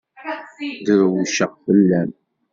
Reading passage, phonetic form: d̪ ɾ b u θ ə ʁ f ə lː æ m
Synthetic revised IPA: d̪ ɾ w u ʃ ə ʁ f ə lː æ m